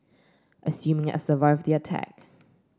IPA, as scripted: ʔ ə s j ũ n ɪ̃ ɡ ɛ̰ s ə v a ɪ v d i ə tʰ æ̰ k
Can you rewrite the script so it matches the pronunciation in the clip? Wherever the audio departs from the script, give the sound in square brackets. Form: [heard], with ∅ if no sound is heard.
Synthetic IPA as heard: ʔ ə s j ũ [m] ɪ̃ [ŋ] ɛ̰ s ə v a ɪ v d i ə tʰ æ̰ k